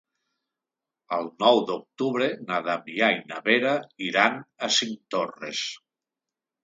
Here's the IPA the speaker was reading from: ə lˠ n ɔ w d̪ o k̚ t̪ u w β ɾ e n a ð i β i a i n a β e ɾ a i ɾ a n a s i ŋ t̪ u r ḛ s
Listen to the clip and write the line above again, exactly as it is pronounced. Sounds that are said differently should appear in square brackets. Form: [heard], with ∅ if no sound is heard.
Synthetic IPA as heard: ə lˠ n ɔ w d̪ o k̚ t̪ u [∅] β ɾ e n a ð [a] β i a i n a β e ɾ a i ɾ a n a s i ŋ t̪ [o] r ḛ s

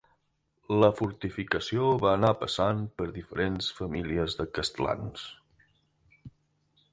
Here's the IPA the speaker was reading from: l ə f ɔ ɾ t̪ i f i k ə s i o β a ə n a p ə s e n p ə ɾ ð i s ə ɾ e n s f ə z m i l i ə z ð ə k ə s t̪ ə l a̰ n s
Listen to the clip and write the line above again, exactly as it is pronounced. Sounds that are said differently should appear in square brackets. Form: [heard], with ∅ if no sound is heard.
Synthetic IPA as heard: l ə f [u] ɾ t̪ i f i k ə s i o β a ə n a p ə s [a] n p ə ɾ ð i [f] ə ɾ e n s f ə [∅] m i l i ə z ð ə k ə s t̪ ə l a̰ n s

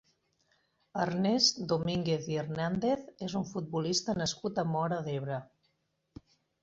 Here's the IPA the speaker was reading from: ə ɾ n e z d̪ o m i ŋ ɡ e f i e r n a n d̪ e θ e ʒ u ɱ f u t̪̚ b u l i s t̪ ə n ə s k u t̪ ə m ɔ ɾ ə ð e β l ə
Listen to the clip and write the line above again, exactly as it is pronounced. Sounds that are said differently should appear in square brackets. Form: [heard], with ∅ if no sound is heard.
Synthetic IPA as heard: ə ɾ n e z d̪ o m i ŋ ɡ e [θ] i e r n a n d̪ e θ e [z] u ɱ f u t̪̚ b u l i s t̪ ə n ə s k u t̪ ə m ɔ ɾ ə ð e β [ɾ] ə

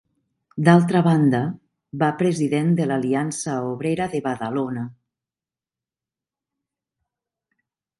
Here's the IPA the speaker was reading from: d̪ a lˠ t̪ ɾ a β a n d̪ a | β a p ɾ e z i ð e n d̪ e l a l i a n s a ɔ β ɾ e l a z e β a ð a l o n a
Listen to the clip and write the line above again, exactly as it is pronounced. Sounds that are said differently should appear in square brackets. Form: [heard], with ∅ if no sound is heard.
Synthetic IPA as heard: d̪ a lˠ t̪ ɾ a β a n d̪ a | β a p ɾ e z i ð e n d̪ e l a l i a n s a [o] β ɾ e [ɾ] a [ð] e β a ð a l o n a

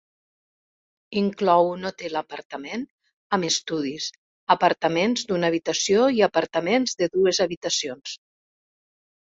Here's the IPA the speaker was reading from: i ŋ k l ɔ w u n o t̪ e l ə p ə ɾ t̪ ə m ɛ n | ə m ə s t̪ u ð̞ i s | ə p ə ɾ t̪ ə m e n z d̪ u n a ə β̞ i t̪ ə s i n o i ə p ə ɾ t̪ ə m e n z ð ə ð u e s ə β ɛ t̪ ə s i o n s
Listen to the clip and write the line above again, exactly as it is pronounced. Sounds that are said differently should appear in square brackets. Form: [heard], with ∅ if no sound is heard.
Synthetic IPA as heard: i ŋ k l ɔ w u n o t̪ e l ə p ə ɾ t̪ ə m [e] n | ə m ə s t̪ u ð̞ i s | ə p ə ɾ t̪ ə m e n z d̪ u n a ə β̞ i t̪ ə s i [∅] o i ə p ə ɾ t̪ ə m e n z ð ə ð u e [z] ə β [i] t̪ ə s i o n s

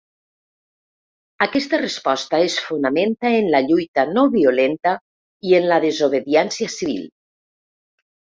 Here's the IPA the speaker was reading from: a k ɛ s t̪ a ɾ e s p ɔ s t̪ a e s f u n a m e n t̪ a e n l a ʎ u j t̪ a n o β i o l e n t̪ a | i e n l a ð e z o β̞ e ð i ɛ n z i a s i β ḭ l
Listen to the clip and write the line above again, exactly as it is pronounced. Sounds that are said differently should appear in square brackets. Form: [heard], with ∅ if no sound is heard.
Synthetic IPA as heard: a k ɛ s t̪ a [r] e s p ɔ s t̪ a e s f u n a m e n t̪ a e n l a ʎ u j t̪ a n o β i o l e n t̪ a | i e n l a ð e z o β̞ e ð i ɛ n [s] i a s i β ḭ l

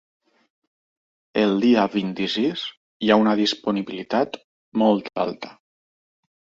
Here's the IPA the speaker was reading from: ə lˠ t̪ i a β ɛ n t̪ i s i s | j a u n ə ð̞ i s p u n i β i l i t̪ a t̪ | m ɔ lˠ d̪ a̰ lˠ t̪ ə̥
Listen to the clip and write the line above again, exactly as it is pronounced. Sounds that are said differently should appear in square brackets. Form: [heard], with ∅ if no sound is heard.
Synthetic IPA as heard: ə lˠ [d̪] i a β [i] n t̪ i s i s | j a u n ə ð̞ i s p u n i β i l i t̪ a t̪ | m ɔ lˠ [t̪] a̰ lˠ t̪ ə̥

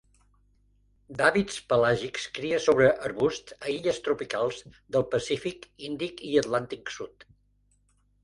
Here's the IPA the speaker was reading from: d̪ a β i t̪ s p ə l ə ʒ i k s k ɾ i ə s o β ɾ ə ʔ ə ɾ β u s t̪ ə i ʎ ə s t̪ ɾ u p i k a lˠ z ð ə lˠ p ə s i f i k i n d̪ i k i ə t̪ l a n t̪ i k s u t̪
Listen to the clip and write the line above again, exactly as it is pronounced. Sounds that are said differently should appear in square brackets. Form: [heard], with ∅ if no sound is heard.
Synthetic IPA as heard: d̪ a β i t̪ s p ə l [a] ʒ i k s k ɾ i ə s o β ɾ ə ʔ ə ɾ β u s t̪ ə i ʎ ə s t̪ ɾ u p i k a lˠ z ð ə lˠ p ə s i f i k i n d̪ i k i ə t̪ l a n t̪ i k s u t̪

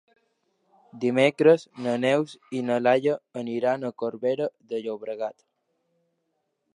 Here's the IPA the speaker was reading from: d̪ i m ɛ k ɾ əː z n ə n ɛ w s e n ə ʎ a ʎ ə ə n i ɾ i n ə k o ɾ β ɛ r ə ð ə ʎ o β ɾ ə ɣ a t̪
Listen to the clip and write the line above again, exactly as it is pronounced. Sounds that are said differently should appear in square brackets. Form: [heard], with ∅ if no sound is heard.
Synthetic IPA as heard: d̪ i m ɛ k ɾ [ə] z n ə n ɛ w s [i] n ə [l] a ʎ ə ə n i ɾ [a] n ə k o ɾ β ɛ [ɾ] ə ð ə ʎ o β ɾ ə ɣ a t̪

